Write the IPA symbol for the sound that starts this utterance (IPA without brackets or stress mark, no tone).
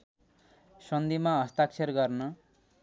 s